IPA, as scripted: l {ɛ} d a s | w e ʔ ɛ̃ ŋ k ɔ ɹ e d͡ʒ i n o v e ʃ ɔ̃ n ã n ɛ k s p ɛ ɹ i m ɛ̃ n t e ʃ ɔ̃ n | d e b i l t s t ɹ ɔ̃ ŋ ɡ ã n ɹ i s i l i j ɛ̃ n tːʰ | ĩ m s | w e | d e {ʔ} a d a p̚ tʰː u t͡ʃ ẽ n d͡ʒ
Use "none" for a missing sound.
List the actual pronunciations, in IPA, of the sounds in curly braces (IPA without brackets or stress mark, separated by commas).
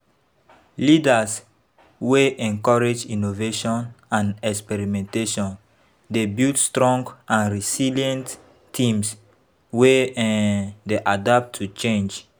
i, ʔ